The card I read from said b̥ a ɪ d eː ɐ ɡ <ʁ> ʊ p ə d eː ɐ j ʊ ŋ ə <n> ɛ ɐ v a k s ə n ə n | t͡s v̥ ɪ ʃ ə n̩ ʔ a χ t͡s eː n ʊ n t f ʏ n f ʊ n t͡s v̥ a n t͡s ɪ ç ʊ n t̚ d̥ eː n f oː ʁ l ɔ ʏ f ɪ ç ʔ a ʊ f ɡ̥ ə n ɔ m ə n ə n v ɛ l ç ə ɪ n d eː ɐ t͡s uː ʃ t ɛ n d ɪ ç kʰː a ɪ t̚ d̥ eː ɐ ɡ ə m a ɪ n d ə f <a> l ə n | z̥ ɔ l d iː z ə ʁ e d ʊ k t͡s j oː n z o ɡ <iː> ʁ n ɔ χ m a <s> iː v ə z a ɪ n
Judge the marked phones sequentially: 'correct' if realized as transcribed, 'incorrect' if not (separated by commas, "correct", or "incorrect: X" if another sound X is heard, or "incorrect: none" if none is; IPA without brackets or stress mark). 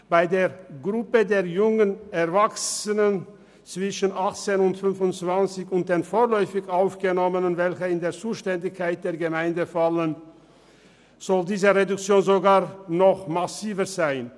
correct, correct, correct, incorrect: aː, correct